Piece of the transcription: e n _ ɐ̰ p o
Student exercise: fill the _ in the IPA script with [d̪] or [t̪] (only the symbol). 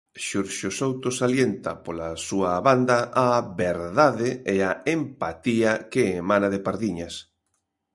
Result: t̪